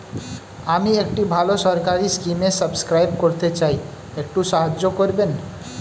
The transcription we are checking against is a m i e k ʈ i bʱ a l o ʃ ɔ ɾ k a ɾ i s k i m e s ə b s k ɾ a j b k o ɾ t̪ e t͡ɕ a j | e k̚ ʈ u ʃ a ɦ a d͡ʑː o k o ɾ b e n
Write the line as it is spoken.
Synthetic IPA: a m i e k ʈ i bʱ a l o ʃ ɔ ɾ k a ɾ i s k i m e s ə b s k ɾ a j b k o ɾ t̪ e t͡ɕ a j | e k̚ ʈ u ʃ a ɦ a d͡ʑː o k o ɾ b e n